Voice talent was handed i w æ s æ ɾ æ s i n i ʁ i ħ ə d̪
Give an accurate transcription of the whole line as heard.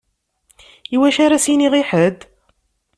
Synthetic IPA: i w æ ʃ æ ɾ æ s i n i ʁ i ħ ə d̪